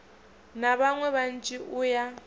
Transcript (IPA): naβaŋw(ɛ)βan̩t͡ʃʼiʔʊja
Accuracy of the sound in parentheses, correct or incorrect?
correct